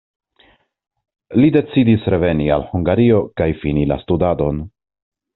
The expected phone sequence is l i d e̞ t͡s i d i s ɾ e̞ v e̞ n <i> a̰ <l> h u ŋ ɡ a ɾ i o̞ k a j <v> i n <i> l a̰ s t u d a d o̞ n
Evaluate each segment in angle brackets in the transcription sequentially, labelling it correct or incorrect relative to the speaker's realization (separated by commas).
correct, correct, incorrect, correct